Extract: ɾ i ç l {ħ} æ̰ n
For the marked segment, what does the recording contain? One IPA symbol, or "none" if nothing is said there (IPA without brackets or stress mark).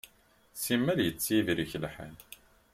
ħ